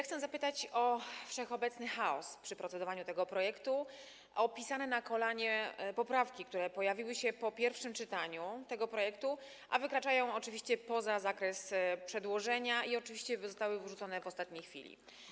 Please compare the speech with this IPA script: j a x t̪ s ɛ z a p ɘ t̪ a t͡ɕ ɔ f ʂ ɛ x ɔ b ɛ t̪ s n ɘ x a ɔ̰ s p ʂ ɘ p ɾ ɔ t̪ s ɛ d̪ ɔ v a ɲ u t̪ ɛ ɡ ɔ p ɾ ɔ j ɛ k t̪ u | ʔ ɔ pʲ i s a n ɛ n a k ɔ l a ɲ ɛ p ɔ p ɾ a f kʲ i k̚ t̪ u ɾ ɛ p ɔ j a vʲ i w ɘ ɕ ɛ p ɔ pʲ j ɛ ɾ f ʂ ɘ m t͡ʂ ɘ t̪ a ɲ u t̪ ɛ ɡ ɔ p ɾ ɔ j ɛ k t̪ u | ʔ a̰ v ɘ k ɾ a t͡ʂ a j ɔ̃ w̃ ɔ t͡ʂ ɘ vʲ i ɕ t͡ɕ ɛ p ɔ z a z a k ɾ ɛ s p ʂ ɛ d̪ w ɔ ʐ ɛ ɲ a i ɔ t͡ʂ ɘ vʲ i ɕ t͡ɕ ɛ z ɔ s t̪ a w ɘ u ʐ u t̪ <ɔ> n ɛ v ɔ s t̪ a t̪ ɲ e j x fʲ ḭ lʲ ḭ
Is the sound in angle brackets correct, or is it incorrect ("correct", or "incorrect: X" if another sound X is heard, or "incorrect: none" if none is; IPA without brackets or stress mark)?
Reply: correct